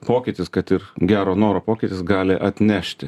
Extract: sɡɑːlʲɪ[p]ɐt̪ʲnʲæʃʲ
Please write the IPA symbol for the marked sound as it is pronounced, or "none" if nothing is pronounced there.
ʔ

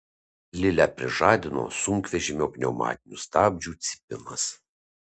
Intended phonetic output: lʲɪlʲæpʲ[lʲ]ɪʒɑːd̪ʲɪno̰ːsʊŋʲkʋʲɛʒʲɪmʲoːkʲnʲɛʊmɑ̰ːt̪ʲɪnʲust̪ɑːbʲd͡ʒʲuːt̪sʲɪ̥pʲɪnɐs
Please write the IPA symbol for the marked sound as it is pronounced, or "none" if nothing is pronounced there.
ɾʲ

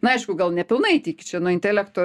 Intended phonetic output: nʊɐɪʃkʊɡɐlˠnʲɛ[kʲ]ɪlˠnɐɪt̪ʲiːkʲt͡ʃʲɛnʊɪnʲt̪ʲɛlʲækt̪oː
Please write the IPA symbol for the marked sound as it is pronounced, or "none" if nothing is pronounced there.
pʲ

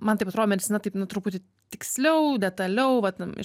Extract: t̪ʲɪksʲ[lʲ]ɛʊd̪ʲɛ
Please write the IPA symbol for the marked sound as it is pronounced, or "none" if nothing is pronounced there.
lʲ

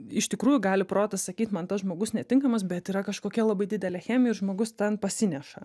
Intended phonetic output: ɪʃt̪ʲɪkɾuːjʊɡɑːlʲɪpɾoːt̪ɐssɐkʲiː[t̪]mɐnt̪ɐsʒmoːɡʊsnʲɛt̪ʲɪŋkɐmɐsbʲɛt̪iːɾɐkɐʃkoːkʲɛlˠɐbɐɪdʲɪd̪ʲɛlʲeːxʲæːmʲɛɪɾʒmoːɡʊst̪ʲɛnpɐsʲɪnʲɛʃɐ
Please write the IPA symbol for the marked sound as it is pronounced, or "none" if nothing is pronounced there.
t̪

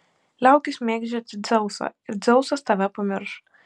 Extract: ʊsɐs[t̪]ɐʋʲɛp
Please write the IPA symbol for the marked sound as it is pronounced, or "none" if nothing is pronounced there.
t̪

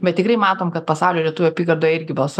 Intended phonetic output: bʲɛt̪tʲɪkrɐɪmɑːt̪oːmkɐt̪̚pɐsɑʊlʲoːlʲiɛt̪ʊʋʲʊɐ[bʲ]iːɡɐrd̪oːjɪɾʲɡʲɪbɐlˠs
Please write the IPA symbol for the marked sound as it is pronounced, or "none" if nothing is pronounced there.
pʲ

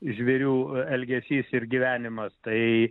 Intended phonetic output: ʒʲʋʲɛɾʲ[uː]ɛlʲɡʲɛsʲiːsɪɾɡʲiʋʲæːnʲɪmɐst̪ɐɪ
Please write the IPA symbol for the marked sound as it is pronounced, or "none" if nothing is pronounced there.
uː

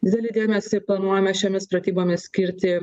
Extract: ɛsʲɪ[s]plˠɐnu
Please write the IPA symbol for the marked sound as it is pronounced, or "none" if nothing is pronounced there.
none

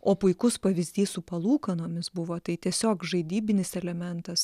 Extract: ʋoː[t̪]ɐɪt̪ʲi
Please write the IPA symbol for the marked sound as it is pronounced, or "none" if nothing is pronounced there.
t̪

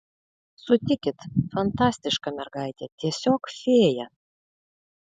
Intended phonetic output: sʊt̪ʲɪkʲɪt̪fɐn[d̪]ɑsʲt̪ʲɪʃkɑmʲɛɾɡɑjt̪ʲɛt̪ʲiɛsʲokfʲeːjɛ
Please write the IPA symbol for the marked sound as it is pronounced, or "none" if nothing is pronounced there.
t̪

